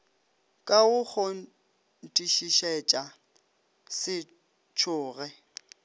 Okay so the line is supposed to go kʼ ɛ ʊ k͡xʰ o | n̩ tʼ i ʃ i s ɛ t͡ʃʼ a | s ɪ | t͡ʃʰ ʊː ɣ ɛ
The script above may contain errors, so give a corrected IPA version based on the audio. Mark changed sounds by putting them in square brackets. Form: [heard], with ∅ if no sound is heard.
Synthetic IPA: kʼ [a] ʊ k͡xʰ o | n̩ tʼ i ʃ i [ʃ] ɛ t͡ʃʼ a | s ɪ | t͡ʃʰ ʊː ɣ ɛ